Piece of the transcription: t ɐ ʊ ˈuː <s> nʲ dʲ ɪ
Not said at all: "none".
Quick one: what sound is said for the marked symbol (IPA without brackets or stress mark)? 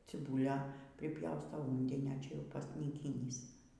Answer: none